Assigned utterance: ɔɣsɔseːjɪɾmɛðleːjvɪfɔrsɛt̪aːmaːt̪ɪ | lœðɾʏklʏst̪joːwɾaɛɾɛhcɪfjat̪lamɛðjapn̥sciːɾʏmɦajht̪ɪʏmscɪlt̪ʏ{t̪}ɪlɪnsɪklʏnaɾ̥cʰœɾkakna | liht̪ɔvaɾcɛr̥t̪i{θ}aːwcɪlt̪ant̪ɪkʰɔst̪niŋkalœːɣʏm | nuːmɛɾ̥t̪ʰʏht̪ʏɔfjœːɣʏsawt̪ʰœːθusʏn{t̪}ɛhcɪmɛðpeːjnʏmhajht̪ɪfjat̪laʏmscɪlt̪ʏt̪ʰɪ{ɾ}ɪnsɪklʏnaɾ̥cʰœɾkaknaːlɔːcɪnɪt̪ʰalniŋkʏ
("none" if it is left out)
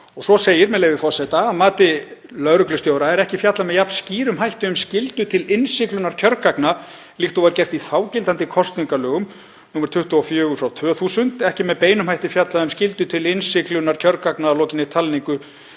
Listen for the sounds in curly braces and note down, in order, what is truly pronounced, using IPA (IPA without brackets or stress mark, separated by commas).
t̪ʰ, θ, t̪, l